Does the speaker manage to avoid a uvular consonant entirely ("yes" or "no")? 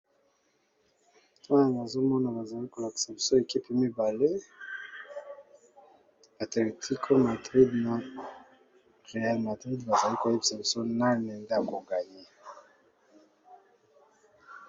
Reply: no